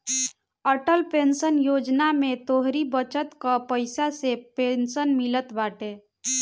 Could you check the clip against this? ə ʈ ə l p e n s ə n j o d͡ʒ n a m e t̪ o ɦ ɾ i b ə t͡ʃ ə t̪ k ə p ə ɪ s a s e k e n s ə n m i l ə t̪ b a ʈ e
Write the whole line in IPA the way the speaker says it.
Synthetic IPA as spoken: ə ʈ ə l p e n s ə n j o d͡ʒ n a m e t̪ o ɦ ɾ i b ə t͡ʃ ə t̪ k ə p ə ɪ s a s e p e n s ə n m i l ə t̪ b a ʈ e